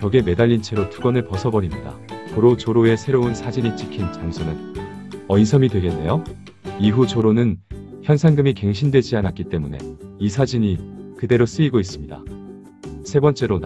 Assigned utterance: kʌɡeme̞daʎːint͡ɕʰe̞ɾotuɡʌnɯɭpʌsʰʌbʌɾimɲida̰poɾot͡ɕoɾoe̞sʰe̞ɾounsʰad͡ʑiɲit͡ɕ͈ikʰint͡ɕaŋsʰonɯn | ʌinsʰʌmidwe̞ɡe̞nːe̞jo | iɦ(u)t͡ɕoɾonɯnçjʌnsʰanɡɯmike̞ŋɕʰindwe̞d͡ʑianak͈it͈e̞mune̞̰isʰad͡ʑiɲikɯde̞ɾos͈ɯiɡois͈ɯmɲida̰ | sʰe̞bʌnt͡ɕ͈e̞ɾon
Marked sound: correct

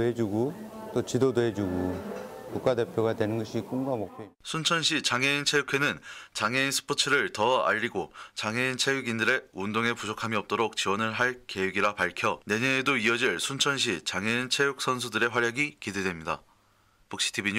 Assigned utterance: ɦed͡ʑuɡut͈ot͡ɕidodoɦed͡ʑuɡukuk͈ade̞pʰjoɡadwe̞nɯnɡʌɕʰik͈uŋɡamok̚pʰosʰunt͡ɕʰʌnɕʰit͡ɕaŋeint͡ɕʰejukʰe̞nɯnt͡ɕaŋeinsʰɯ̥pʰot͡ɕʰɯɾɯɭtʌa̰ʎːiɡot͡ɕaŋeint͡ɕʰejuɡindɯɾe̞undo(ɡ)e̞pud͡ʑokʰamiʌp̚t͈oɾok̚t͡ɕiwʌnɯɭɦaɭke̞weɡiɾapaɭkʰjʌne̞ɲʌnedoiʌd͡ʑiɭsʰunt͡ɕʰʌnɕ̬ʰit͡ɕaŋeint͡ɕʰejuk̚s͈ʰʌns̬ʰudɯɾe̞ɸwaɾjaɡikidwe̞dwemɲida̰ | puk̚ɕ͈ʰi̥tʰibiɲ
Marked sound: incorrect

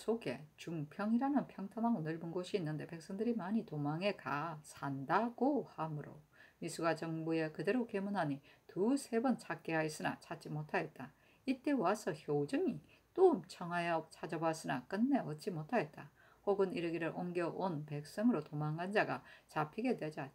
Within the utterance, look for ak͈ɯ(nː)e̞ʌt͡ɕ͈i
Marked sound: correct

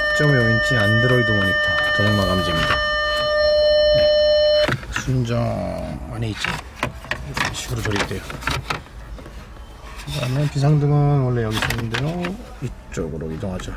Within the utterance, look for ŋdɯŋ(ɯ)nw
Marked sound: correct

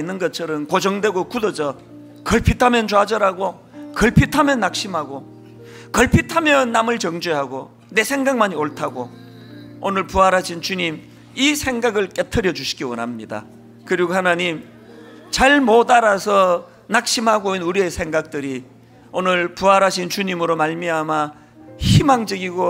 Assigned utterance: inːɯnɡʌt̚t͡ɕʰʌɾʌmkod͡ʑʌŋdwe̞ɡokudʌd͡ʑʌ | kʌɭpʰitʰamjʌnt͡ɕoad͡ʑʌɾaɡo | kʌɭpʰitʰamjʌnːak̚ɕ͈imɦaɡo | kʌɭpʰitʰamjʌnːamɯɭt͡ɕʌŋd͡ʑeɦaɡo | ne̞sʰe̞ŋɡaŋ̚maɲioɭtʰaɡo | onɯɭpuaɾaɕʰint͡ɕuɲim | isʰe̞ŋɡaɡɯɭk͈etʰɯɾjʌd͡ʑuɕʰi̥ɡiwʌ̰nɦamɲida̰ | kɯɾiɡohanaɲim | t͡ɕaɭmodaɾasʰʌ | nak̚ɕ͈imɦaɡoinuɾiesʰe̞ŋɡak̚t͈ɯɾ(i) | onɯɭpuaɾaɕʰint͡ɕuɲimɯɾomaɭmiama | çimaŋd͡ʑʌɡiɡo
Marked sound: correct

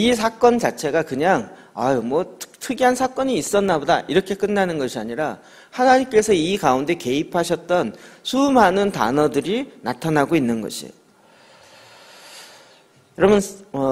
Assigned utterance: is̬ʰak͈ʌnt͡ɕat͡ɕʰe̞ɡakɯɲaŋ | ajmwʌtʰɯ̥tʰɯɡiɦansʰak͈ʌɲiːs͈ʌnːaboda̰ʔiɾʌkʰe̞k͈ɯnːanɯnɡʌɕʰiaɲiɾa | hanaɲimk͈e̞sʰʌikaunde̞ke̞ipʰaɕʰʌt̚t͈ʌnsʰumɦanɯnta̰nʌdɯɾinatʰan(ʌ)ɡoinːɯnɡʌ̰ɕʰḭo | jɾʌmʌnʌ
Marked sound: incorrect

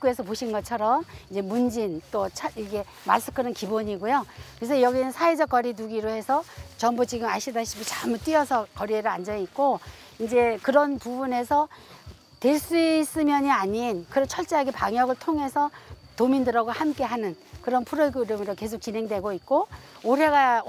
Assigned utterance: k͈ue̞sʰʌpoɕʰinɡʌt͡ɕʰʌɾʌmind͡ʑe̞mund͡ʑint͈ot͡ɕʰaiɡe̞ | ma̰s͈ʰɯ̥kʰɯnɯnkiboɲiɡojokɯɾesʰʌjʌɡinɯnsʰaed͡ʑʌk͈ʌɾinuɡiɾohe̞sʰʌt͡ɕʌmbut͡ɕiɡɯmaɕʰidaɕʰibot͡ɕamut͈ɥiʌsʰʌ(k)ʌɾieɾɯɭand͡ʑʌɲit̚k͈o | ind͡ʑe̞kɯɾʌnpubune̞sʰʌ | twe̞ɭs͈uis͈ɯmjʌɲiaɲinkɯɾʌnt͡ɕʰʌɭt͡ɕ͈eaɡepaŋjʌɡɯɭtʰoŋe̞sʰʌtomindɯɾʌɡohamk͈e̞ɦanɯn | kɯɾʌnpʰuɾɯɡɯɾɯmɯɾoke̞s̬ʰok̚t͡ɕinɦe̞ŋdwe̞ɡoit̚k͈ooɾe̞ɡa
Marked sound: correct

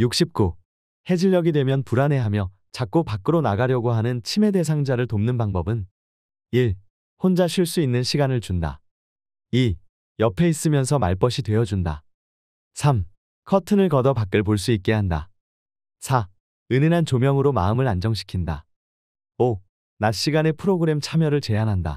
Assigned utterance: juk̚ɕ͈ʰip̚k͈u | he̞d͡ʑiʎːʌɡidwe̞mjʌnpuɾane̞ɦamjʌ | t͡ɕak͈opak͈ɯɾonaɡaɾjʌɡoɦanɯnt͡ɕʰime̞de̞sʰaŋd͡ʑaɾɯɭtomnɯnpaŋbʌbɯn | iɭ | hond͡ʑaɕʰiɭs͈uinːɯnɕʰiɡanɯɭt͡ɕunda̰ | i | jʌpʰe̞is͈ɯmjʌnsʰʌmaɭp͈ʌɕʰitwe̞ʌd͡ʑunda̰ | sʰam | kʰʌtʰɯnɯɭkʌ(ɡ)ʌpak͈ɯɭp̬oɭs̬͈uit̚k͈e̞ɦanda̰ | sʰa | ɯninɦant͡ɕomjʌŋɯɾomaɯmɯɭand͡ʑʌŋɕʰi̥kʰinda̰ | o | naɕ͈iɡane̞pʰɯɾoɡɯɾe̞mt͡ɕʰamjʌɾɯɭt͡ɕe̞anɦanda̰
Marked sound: incorrect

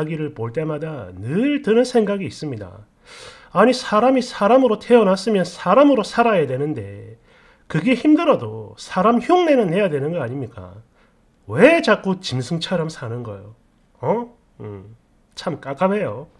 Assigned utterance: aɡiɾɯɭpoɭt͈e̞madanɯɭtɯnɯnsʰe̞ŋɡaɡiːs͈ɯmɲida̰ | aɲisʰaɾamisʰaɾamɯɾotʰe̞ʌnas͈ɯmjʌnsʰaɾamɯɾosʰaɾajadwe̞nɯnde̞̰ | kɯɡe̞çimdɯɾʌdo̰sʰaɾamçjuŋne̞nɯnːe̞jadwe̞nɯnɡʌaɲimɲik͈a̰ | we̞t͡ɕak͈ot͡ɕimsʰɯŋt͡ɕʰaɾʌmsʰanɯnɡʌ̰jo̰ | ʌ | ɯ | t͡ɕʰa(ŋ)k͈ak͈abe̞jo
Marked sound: incorrect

